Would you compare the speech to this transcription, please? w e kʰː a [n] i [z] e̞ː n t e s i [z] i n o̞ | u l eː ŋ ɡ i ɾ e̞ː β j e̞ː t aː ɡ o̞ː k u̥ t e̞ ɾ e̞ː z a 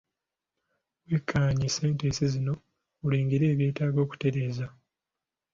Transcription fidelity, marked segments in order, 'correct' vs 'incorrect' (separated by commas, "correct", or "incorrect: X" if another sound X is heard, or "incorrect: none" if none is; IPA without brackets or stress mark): incorrect: ɲ, incorrect: s, correct